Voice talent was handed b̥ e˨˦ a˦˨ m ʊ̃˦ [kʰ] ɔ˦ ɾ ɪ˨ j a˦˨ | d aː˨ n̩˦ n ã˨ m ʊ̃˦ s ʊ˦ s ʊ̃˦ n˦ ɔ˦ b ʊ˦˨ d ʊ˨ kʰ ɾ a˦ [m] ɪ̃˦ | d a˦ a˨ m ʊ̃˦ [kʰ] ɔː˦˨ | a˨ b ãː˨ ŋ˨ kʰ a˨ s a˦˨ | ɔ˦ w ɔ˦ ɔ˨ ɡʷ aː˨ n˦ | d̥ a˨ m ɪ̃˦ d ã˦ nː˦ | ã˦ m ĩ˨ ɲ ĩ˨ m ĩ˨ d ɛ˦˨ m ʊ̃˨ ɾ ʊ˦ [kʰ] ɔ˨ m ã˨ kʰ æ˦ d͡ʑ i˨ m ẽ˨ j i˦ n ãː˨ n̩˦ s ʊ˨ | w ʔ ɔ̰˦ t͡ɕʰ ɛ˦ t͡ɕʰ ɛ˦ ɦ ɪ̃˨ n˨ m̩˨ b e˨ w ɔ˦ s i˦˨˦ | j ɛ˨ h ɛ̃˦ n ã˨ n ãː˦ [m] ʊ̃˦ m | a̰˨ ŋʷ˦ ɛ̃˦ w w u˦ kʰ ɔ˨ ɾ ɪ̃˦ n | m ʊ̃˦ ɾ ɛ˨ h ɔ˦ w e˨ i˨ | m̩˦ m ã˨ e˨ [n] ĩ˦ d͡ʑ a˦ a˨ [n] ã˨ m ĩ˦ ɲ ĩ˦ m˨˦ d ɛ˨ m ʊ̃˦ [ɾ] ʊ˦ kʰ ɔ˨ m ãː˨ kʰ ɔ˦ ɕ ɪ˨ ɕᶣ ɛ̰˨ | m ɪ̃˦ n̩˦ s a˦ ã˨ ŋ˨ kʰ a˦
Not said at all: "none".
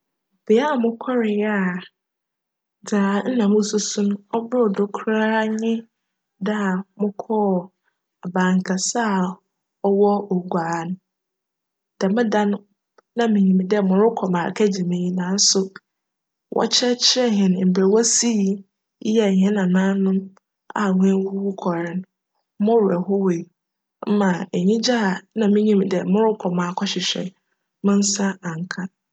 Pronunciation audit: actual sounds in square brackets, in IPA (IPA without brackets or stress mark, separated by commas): kʰ, ɲ, kʰ, kʰ, n, ɲ, n, ɾ